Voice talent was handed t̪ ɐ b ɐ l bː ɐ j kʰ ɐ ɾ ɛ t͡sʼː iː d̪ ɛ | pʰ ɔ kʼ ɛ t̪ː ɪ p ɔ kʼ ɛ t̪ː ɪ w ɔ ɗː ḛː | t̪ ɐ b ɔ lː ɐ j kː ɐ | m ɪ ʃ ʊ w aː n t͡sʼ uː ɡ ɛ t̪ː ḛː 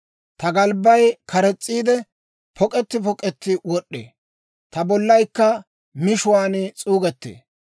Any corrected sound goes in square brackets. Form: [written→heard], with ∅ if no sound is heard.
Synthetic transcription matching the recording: t̪ ɐ [b→ɡ] ɐ l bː ɐ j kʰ ɐ ɾ ɛ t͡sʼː iː d̪ ɛ | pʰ ɔ kʼ ɛ t̪ː ɪ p ɔ kʼ ɛ t̪ː ɪ w ɔ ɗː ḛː | t̪ ɐ b ɔ lː ɐ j kː ɐ | m ɪ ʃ ʊ w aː n t͡sʼ uː ɡ ɛ t̪ː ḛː

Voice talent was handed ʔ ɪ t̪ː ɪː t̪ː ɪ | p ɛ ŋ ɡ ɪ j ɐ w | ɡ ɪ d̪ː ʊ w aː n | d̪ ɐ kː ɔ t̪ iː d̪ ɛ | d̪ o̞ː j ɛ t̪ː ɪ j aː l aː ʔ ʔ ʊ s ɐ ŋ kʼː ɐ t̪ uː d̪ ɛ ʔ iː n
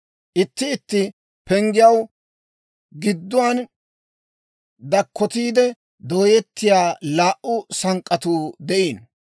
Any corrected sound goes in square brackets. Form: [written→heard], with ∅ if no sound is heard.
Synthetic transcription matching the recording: ʔ ɪ t̪ː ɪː t̪ː ɪ | p ɛ ŋ ɡ ɪ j ɐ w | ɡ ɪ d̪ː ʊ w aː n | d̪ ɐ kː ɔ t̪ iː d̪ ɛ | d̪ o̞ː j ɛ t̪ː ɪ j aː l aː ʔ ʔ ʊ s ɐ ŋ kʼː ɐ t̪ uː d̪ ɛ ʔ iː n

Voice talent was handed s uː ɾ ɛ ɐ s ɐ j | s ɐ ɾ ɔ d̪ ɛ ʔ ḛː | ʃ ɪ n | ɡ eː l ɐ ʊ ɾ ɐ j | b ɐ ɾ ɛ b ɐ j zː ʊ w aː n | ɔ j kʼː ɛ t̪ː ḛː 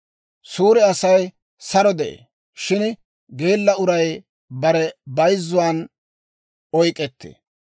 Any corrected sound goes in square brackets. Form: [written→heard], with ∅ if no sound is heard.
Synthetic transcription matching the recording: s uː ɾ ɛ ɐ s ɐ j | s ɐ ɾ ɔ d̪ ɛ ʔ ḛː | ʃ ɪ n | ɡ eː [l→lː] ɐ ʊ ɾ ɐ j | b ɐ ɾ ɛ b ɐ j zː ʊ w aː n | ɔ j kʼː ɛ t̪ː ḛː

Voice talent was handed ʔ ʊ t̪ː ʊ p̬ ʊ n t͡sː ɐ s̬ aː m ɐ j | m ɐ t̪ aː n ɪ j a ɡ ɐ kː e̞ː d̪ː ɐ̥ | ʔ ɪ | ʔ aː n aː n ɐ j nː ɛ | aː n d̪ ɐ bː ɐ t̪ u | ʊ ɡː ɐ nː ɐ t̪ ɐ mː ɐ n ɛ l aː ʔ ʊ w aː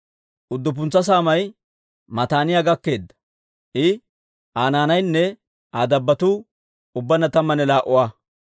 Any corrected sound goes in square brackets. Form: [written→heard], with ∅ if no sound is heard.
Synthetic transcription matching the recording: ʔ ʊ [t̪ː→d̪ː] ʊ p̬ ʊ n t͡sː ɐ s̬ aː m ɐ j | m ɐ t̪ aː n ɪ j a ɡ ɐ kː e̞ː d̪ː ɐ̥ | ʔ ɪ | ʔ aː n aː n ɐ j nː ɛ | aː [n→∅] d̪ ɐ bː ɐ t̪ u | ʊ [ɡː→bː] ɐ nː ɐ t̪ ɐ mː ɐ n ɛ l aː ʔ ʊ w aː

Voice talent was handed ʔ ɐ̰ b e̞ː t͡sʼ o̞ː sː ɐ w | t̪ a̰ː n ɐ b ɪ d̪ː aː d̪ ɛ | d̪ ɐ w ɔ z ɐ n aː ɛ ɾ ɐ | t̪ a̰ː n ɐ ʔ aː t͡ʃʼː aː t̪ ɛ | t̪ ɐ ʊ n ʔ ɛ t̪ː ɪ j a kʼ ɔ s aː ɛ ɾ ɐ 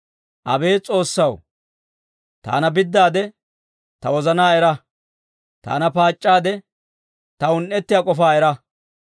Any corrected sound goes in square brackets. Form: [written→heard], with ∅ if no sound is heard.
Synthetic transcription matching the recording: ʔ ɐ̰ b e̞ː t͡sʼ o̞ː sː ɐ w | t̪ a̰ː n ɐ b ɪ d̪ː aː d̪ ɛ | [d̪→t̪] ɐ w ɔ z ɐ n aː ɛ ɾ ɐ | t̪ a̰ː n ɐ [ʔ→p] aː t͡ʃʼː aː [t̪→d̪] ɛ | t̪ ɐ ʊ n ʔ ɛ t̪ː ɪ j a kʼ ɔ [s→f] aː ɛ ɾ ɐ

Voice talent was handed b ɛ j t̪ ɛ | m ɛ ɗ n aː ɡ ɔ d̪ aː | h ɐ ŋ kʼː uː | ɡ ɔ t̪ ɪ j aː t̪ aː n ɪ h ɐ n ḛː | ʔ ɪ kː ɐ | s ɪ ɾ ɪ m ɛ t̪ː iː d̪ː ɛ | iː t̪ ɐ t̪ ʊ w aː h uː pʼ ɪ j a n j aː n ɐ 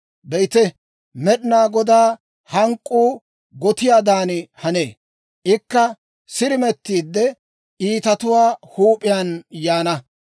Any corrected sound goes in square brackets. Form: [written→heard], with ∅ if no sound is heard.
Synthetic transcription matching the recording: b ɛ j t̪ ɛ | m ɛ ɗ n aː ɡ ɔ d̪ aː | h ɐ ŋ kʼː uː | ɡ ɔ t̪ ɪ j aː [t̪→d̪] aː n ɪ h ɐ n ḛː | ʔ ɪ kː ɐ | s ɪ ɾ ɪ m ɛ t̪ː iː d̪ː ɛ | iː t̪ ɐ t̪ ʊ w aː h uː pʼ ɪ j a n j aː n ɐ

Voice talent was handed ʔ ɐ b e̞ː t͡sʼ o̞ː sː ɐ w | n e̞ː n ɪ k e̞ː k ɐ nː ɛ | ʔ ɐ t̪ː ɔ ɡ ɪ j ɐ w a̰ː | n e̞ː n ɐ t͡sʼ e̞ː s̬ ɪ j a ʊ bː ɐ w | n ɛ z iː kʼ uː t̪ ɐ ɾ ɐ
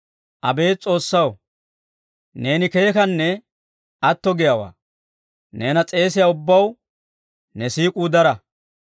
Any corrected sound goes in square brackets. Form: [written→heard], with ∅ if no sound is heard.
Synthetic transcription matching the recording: ʔ ɐ b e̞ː t͡sʼ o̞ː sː ɐ w | n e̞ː n ɪ k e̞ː k ɐ nː ɛ | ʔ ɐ t̪ː ɔ ɡ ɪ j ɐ w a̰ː | n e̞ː n ɐ t͡sʼ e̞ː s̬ ɪ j a ʊ bː ɐ w | n ɛ [z→s] iː kʼ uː [t̪→d̪] ɐ ɾ ɐ

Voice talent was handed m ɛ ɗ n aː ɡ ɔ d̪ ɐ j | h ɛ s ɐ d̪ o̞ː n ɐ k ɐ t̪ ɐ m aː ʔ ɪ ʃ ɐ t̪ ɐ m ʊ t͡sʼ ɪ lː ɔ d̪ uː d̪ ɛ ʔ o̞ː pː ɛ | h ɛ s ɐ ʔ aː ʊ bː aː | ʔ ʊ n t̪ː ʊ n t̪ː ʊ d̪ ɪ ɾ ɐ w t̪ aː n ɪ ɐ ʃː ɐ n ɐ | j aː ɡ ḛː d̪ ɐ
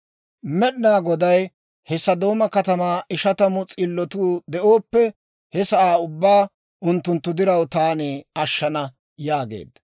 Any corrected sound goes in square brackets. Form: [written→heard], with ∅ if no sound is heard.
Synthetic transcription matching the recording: m ɛ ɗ n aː ɡ ɔ d̪ ɐ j | h ɛ s ɐ d̪ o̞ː [n→m] ɐ k ɐ t̪ ɐ m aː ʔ ɪ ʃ ɐ t̪ ɐ m ʊ t͡sʼ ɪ lː ɔ [d̪→t̪] uː d̪ ɛ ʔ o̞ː pː ɛ | h ɛ s ɐ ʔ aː ʊ bː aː | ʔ ʊ n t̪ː ʊ n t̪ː ʊ d̪ ɪ ɾ ɐ w t̪ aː n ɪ ɐ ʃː ɐ n ɐ | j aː ɡ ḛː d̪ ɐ

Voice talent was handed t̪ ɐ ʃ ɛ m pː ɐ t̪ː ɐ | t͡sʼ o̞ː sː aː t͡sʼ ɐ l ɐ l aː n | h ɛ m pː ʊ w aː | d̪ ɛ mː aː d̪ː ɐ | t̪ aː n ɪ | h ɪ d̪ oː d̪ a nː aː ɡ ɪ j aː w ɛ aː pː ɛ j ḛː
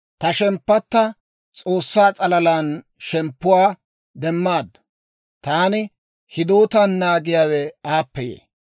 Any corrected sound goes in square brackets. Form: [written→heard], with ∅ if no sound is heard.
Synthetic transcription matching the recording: t̪ ɐ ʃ ɛ m pː ɐ t̪ː ɐ | t͡sʼ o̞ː sː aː t͡sʼ ɐ l ɐ l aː n | [h→ʃ] ɛ m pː ʊ w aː | d̪ ɛ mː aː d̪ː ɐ | t̪ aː n ɪ | h ɪ d̪ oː [d̪→t̪] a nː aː ɡ ɪ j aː w ɛ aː pː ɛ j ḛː

